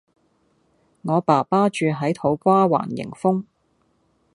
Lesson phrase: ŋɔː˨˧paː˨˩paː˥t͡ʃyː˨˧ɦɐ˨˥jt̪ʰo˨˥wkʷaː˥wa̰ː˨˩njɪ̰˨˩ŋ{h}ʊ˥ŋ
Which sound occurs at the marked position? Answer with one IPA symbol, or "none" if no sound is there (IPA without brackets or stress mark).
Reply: f